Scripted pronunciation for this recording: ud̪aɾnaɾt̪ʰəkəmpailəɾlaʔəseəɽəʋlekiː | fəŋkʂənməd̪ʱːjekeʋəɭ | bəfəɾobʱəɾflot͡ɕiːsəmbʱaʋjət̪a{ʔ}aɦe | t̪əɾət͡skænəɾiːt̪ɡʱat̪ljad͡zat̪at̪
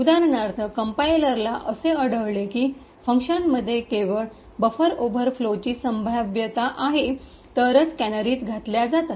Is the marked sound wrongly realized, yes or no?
no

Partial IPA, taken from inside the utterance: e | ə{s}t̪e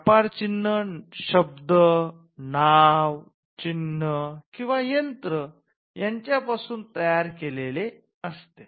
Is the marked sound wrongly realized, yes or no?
no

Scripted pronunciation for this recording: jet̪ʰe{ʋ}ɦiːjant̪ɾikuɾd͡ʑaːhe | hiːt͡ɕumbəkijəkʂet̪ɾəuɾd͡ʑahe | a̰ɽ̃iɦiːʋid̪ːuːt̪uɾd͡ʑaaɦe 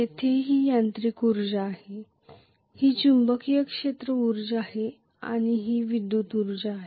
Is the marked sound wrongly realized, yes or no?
yes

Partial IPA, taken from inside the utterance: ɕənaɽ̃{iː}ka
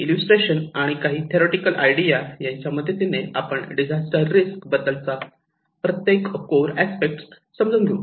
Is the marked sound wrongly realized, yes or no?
yes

